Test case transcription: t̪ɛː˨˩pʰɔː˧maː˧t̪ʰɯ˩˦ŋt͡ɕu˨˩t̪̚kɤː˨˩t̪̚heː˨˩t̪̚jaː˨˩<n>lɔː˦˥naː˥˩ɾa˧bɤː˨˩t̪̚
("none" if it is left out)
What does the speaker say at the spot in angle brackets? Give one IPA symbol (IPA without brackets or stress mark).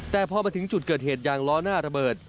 ŋ